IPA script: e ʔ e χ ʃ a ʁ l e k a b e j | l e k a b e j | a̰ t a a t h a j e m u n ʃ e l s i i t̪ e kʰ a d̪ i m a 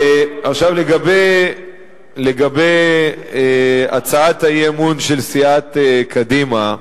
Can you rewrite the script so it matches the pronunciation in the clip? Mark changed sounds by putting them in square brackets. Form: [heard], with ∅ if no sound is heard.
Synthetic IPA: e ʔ [a] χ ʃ a [v] l e [ɡ] a b e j | l e [ɡ] a b e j | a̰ [t͡s] a a t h a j e m u n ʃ e l s i [a] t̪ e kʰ a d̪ i m a